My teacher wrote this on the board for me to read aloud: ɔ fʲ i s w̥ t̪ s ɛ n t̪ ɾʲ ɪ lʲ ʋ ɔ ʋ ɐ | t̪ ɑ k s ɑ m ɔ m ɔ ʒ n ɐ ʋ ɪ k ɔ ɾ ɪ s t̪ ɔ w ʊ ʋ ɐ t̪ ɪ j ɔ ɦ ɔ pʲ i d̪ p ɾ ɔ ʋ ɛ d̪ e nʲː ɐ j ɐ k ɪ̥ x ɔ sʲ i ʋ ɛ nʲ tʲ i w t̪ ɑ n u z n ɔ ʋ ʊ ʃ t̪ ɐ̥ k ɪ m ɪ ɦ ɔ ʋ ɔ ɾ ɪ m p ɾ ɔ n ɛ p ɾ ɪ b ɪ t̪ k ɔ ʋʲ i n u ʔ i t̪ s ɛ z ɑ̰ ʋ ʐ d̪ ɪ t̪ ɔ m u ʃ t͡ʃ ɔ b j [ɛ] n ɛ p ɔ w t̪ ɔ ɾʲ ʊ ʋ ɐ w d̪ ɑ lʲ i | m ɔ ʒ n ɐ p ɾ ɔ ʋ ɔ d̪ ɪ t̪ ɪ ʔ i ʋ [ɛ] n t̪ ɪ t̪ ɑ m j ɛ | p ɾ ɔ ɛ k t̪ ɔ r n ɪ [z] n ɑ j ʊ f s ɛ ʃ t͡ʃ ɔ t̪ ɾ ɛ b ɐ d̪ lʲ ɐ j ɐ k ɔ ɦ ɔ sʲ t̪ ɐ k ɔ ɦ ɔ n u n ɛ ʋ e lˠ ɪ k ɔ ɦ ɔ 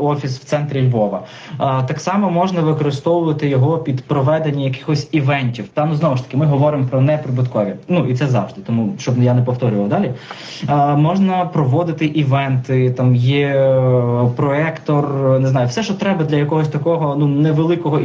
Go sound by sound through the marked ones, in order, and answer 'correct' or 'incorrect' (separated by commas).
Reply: incorrect, correct, correct